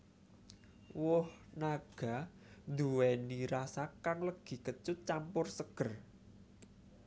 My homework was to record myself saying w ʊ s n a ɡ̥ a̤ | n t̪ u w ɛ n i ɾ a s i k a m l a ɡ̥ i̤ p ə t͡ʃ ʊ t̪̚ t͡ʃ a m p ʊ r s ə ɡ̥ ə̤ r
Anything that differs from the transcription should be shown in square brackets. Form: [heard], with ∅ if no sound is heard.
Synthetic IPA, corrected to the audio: w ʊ [h] n a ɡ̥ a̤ | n [d̪] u w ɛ n i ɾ a s [a] k a [ŋ] l [ə] ɡ̥ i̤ [k] ə t͡ʃ ʊ t̪̚ t͡ʃ a m p ʊ r s ə ɡ̥ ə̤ r